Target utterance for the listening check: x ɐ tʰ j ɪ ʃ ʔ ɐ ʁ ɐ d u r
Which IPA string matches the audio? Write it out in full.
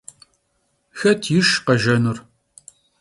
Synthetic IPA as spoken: x ɐ tʰ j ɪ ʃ q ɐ ʒ ɐ n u r